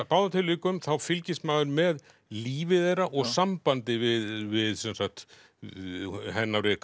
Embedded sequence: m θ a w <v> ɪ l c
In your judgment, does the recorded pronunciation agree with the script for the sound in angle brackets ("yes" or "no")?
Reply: no